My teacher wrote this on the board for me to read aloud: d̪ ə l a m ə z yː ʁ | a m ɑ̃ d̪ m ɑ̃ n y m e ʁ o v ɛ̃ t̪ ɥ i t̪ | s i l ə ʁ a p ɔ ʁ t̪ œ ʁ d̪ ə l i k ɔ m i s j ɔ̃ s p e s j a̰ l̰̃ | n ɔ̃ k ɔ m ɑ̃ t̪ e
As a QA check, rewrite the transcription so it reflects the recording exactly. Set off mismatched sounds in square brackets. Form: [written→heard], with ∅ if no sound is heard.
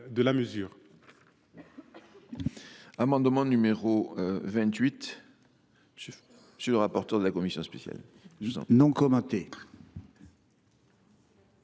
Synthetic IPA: d̪ ə l a m ə z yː ʁ | a m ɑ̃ d̪ m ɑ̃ n y m e ʁ o v ɛ̃ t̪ ɥ i t̪ | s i l ə ʁ a p ɔ ʁ t̪ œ ʁ d̪ ə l [i→a] k ɔ m i s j ɔ̃ s p e s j a̰ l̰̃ | n ɔ̃ k ɔ m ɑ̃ t̪ e